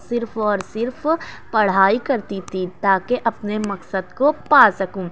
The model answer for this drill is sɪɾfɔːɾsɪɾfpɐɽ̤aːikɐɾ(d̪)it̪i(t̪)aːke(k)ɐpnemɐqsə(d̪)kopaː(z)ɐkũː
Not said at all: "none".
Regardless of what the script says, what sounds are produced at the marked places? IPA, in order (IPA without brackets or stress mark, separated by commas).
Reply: t̪, t̪, ʔ, d̪, s